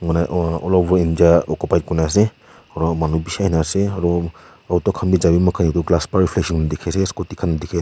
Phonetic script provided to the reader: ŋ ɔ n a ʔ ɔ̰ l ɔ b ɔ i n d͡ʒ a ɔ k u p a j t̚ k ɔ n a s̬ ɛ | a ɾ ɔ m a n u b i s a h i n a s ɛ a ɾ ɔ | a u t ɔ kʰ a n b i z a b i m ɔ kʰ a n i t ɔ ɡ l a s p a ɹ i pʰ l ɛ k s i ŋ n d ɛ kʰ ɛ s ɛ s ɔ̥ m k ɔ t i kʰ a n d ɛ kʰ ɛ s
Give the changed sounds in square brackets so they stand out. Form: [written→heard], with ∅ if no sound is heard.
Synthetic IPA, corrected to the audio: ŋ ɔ n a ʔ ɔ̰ l ɔ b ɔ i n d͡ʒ a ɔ k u p a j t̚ k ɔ n a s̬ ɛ | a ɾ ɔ m a n u b i s a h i n a s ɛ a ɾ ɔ | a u t ɔ kʰ a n b i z a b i m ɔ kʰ a n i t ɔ ɡ l a s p a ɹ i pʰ l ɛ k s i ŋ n d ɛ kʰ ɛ s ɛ s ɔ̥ [m→∅] k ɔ t i kʰ a n d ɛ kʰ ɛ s